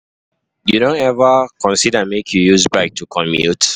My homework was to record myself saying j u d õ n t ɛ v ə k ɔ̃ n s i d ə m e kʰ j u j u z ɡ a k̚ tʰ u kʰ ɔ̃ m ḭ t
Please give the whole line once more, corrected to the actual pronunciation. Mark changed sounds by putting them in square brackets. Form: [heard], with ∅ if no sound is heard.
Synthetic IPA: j u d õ n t ɛ v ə k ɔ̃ n s i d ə m e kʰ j u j u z [b] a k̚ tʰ u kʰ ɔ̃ m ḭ t

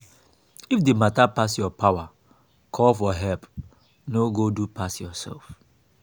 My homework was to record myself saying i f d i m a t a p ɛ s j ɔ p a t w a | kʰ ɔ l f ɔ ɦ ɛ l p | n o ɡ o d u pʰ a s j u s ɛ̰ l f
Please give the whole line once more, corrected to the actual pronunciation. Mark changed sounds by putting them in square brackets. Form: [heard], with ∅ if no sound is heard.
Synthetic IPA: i f d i m a t a p [a] s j ɔ p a [∅] w a | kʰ ɔ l f ɔ ɦ ɛ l p | n o ɡ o d u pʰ a s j [ɔ] s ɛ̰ l f

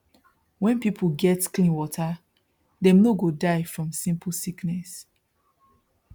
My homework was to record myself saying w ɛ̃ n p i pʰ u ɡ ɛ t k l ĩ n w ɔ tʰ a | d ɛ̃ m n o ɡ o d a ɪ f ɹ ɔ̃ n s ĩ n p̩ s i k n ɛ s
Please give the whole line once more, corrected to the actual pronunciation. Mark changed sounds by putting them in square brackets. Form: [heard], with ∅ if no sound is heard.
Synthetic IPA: w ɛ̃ n p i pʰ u ɡ ɛ t k l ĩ n w ɔ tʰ a | d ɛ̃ m n o ɡ o d a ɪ f ɹ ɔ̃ [m] s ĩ [m] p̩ s i k n ɛ s

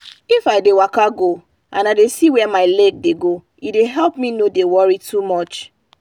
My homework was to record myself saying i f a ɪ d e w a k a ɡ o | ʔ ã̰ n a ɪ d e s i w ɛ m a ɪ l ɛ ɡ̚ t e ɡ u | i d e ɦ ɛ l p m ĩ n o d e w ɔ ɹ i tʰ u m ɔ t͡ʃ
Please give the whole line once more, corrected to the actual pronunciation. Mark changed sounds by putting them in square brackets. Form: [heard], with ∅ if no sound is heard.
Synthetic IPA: i f a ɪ d e w a k a ɡ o | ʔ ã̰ n a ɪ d e s i w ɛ m a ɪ l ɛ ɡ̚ [d] e ɡ [o] | i d e ɦ ɛ l p m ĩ n o d e w ɔ ɹ i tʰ u m ɔ t͡ʃ

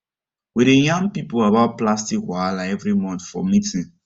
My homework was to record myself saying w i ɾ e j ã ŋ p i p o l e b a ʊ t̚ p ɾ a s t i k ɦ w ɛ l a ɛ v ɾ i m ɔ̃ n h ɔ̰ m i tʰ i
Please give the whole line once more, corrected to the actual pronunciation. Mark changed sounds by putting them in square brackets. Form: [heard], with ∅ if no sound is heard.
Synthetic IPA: w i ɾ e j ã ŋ p i p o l [a] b a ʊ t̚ p [l] a s t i k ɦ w [a] l a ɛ v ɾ i m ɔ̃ n [f] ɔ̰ m i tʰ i

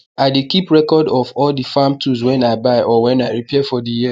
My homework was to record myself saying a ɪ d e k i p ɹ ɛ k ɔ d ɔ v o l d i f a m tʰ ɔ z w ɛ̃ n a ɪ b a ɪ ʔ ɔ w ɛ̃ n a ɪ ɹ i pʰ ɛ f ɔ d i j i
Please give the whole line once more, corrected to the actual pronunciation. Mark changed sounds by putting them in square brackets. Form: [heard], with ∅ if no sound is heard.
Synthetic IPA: a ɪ d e k i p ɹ ɛ k ɔ d ɔ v [ɔ] l d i f a m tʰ [u] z w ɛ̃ n a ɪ b a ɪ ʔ ɔ w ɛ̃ n a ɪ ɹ i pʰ ɛ f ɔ d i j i

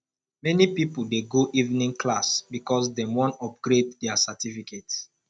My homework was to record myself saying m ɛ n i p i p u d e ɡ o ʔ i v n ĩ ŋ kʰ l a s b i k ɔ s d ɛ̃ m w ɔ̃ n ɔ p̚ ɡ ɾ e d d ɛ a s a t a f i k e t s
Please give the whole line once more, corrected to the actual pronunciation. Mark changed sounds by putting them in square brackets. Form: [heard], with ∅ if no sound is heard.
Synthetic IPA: m ɛ n i p i p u d e ɡ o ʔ i v n ĩ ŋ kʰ l a s b i k ɔ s d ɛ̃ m w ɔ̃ n ɔ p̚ ɡ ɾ e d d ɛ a s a t [i] f i k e t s

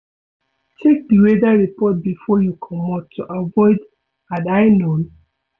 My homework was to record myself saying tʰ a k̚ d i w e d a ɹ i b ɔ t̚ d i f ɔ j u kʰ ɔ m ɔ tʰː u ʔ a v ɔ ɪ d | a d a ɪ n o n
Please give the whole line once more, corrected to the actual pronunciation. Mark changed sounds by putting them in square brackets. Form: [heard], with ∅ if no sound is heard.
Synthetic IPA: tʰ [e] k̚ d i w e d a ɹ i [p] ɔ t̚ [b] i f ɔ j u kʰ ɔ m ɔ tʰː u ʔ a v ɔ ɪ d | a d a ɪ n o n

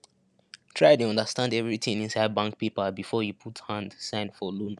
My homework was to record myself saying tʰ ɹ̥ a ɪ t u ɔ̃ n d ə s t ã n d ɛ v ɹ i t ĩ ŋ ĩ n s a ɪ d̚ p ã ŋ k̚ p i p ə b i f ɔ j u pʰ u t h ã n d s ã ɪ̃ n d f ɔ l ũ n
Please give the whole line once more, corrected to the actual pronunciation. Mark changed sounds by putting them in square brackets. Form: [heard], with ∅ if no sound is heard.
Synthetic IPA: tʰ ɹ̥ a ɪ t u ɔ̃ n d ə s t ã n d ɛ v ɹ i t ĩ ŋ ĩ n s a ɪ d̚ [b] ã ŋ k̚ p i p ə b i f ɔ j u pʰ u t h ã n d s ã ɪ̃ n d f ɔ l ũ n

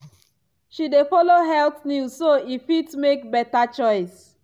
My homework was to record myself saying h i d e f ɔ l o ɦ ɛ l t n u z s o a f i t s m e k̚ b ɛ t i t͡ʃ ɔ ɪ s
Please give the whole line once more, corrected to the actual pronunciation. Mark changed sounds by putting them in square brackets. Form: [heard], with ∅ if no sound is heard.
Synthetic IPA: [ʃ] i d e f ɔ l o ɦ ɛ l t n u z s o [i] f i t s m e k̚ b ɛ t [a] t͡ʃ ɔ ɪ s

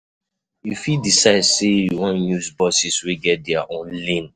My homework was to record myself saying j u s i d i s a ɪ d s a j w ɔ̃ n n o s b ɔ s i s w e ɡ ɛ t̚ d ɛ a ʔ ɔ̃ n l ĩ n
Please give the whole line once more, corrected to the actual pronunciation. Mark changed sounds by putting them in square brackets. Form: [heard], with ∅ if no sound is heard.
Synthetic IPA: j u [f] i d i s a ɪ d s [e] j w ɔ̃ n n [u] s b ɔ s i s w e ɡ ɛ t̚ d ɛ a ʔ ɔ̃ n l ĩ n

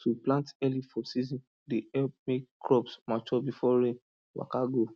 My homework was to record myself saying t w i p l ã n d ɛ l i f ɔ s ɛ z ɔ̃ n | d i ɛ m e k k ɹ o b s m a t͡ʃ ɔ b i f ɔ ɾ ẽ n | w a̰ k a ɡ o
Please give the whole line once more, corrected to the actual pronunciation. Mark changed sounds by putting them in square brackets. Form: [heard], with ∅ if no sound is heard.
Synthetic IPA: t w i p l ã n [t] ɛ l i f ɔ s [i] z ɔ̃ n | d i ɛ m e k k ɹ [ɔ] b s m a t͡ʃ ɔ b i f ɔ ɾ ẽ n | w a̰ k a ɡ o

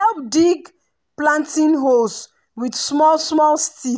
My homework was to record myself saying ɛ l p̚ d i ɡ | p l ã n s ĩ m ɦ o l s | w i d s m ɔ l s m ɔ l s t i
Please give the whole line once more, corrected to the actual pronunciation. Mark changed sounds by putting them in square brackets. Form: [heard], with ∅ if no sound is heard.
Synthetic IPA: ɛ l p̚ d i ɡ | p l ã n [t] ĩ [n] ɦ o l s | w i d s m ɔ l s m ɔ l s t i

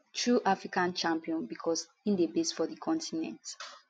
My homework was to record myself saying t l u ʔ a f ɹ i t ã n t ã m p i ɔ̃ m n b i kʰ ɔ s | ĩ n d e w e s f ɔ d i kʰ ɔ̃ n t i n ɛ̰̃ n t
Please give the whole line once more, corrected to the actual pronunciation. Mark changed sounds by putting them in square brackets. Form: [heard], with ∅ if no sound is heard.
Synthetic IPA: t [ɹ] u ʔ a f ɹ i [k] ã n [t͡ʃ] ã m p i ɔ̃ [∅] n b i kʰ ɔ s | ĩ n d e [b] e s f ɔ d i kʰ ɔ̃ n t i n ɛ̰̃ n t

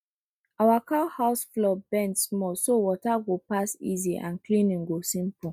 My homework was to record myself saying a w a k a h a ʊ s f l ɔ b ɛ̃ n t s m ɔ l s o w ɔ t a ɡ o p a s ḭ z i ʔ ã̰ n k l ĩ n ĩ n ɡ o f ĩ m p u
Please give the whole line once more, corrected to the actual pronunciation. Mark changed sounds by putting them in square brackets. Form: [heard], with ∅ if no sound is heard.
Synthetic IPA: a w a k a h a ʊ s f l ɔ b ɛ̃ n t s m ɔ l s o w ɔ t a ɡ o p a s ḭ z i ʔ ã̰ n k l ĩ n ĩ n ɡ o [s] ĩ m p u

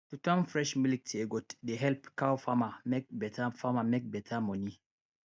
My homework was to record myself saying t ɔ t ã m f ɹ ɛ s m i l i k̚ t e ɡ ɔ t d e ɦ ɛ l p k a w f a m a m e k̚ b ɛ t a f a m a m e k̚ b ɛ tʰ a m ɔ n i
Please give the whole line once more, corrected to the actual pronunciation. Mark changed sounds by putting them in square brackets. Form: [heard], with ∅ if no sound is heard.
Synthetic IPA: t [u] t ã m f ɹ ɛ [ʃ] m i l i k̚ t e ɡ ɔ t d e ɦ ɛ l p k a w f a m a m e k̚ b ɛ t a f a m a m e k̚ b ɛ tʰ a m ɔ n i

